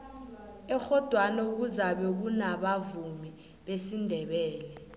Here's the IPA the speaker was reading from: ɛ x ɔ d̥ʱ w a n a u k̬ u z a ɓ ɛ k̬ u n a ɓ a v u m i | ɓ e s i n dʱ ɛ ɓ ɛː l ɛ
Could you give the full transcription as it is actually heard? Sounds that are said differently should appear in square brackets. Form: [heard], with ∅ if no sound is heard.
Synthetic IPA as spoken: ɛ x ɔ d̥ʱ w a n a u k̬ u z a ɓ ɛ k̬ u n a ɓ a v u m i | ɓ e s i n dʱ ɛ ɓ ɛː l ɛ